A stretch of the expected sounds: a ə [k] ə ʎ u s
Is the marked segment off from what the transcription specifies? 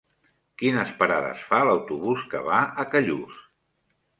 no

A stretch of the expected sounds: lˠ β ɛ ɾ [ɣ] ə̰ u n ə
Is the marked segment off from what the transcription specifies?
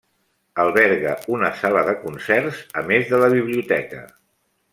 no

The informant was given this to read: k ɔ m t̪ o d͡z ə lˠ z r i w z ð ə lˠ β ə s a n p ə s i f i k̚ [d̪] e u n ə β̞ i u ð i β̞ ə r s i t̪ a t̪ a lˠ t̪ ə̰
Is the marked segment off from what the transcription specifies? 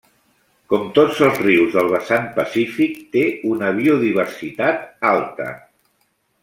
yes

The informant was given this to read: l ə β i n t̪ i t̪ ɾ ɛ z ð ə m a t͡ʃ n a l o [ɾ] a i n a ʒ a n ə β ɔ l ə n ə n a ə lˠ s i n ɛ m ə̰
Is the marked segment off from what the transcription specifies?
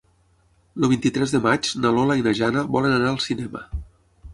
yes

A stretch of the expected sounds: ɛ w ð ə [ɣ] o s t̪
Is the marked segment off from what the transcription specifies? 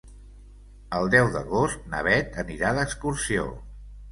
no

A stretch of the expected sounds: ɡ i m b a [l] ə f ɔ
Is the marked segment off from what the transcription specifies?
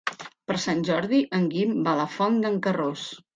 no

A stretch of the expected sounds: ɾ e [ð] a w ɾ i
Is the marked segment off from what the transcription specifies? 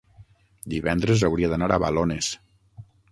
yes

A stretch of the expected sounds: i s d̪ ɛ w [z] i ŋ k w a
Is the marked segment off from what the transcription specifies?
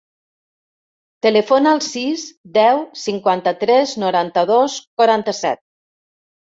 yes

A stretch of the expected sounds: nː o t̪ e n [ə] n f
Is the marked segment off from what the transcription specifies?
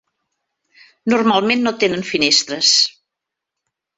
no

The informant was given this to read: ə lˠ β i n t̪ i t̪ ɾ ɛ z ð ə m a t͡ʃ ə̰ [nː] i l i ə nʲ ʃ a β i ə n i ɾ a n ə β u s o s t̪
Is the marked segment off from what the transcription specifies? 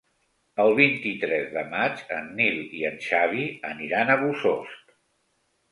no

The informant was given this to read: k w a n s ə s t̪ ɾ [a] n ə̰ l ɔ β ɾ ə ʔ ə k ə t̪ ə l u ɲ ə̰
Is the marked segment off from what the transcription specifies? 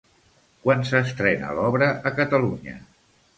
yes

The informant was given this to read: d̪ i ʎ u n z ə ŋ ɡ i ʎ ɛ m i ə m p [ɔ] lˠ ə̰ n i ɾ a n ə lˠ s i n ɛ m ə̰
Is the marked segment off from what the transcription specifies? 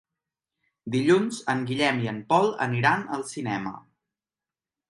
no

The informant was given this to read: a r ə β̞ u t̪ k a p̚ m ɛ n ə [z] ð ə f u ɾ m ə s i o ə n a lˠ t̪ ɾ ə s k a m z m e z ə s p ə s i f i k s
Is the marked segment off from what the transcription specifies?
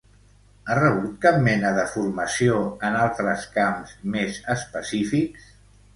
yes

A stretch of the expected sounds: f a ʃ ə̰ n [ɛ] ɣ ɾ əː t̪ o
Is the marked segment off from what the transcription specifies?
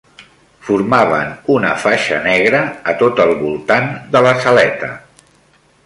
no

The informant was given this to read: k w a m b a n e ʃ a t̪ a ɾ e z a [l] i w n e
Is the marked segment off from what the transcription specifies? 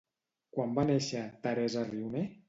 yes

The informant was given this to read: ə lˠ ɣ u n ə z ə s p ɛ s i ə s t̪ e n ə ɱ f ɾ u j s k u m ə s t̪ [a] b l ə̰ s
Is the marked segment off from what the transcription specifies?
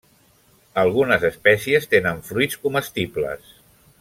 yes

